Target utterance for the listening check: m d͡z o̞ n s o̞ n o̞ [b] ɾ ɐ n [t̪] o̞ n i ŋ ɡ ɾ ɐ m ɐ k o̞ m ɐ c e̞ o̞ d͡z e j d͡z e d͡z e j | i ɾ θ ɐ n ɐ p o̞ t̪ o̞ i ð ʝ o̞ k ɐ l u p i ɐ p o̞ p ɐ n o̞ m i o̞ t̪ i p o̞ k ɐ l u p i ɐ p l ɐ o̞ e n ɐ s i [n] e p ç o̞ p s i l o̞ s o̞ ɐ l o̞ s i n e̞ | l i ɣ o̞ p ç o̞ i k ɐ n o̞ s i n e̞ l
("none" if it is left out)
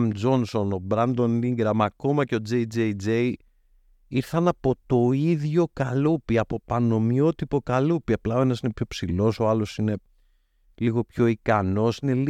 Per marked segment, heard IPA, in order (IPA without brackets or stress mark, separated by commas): b, d̪, n